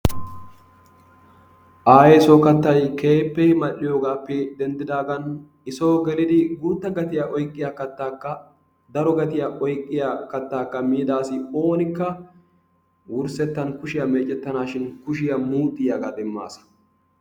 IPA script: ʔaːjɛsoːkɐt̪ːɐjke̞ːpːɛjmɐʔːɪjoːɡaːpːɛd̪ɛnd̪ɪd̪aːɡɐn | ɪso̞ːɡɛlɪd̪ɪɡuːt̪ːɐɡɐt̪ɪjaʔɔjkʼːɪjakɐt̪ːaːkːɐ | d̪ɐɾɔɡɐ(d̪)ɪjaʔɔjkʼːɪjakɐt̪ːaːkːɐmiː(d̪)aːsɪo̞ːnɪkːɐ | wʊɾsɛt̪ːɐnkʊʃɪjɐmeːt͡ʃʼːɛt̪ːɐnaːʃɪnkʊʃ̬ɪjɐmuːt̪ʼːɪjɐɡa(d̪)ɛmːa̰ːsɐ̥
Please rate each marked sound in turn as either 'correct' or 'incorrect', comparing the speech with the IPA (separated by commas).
incorrect, correct, correct